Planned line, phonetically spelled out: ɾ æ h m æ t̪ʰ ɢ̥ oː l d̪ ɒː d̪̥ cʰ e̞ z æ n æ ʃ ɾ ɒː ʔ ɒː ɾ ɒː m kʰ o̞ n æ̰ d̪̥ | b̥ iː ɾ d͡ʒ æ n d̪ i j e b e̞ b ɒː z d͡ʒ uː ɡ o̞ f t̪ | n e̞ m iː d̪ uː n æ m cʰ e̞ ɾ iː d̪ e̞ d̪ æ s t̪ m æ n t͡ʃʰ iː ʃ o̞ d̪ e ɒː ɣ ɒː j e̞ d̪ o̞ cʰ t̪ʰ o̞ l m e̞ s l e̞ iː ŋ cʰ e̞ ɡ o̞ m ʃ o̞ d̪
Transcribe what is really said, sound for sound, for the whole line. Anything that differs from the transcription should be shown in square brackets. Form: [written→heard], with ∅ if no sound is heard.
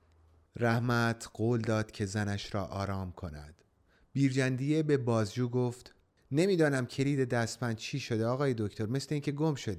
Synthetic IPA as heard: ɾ æ h m æ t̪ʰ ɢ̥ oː l d̪ ɒː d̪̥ cʰ e̞ z æ n æ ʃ ɾ ɒː ʔ ɒː ɾ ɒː m kʰ o̞ n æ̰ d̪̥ | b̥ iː ɾ d͡ʒ æ n d̪ i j e b e̞ b ɒː z d͡ʒ uː ɡ o̞ f t̪ | n e̞ m iː d̪ [uː→ɒː] n æ m cʰ e̞ ɾ iː d̪ e̞ d̪ æ s t̪ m æ n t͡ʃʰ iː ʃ o̞ d̪ e ɒː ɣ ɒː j e̞ d̪ o̞ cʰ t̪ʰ o̞ [l→ɾ] m e̞ s l e̞ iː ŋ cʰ e̞ ɡ o̞ m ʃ o̞ d̪